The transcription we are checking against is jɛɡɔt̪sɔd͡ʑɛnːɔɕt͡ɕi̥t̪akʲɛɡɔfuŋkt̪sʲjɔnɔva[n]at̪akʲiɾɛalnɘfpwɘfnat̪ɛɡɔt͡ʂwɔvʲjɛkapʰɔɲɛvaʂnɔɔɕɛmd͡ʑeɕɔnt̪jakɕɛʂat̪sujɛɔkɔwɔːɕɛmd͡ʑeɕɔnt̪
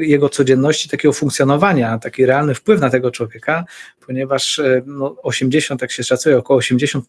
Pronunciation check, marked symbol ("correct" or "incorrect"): incorrect